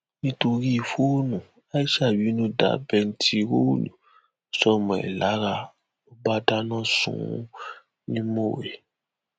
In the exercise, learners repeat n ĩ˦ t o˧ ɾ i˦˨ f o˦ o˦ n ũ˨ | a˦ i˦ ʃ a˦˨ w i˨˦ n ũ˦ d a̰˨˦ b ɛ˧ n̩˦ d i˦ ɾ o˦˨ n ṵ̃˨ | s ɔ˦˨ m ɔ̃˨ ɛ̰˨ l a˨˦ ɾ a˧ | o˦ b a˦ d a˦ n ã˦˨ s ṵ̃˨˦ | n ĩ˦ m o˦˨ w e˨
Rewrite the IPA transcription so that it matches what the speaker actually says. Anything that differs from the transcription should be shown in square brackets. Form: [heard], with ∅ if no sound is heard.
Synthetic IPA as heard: n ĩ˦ t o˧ ɾ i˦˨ f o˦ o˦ n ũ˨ | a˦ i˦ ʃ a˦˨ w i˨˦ n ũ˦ d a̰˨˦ b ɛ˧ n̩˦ [t] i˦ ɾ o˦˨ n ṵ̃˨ | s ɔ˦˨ m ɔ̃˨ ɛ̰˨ l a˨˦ ɾ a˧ | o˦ b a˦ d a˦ n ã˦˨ s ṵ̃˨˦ | n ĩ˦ m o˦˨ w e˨